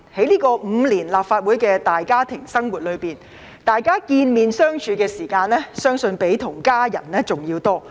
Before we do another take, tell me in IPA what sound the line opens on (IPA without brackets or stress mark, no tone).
h